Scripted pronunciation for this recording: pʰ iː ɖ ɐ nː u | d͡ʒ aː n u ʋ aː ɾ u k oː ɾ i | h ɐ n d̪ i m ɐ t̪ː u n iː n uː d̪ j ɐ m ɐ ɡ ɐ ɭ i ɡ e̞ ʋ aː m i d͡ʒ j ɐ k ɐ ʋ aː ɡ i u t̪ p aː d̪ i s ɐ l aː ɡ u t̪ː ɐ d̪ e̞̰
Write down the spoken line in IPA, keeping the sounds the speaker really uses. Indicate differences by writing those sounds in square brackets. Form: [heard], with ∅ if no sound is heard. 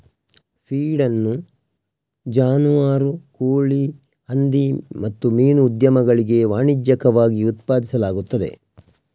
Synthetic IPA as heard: pʰ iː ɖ ɐ nː u | d͡ʒ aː n u ʋ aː ɾ u k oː [ɭ] i | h ɐ n d̪ i m ɐ t̪ː u [m] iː n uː d̪ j ɐ m ɐ ɡ ɐ ɭ i ɡ e̞ ʋ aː [ɳ] i d͡ʒ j ɐ k ɐ ʋ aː ɡ i u t̪ p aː d̪ i s ɐ l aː ɡ u t̪ː ɐ d̪ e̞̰